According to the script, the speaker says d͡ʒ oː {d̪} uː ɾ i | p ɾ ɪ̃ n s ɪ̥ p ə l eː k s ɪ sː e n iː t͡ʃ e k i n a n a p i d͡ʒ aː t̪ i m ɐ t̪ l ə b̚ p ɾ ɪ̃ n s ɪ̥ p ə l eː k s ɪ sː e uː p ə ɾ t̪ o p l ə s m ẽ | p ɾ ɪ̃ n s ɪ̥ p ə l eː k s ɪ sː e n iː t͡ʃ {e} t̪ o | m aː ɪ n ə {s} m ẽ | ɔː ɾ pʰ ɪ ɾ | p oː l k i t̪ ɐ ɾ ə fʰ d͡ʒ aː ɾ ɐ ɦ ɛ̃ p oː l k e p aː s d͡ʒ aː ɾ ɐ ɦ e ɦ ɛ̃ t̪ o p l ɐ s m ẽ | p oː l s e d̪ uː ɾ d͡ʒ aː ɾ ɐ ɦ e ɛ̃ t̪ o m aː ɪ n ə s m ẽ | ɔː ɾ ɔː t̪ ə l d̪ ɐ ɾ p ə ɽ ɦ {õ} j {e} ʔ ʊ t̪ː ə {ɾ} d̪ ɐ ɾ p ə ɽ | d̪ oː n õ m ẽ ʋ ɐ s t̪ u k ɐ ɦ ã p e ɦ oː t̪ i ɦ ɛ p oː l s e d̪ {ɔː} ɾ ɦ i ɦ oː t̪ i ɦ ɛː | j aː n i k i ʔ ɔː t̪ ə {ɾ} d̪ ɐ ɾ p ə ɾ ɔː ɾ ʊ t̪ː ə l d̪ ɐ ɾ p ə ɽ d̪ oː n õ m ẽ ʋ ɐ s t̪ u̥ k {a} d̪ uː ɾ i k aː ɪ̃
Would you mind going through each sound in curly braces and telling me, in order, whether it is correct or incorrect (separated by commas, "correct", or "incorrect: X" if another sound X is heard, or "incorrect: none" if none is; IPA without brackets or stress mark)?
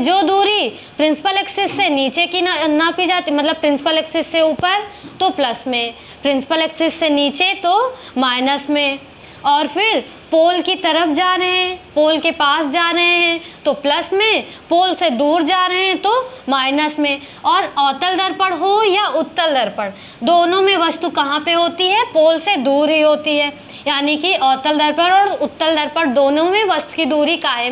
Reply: correct, correct, correct, incorrect: o, incorrect: a, incorrect: l, incorrect: uː, incorrect: l, incorrect: i